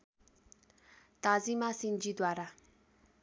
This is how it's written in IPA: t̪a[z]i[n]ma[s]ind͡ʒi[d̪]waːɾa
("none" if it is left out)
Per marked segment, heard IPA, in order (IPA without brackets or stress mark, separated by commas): z, none, s, d̪